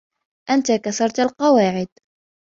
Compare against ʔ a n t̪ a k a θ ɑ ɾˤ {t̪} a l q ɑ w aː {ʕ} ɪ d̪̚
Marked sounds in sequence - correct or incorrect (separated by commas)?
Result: correct, correct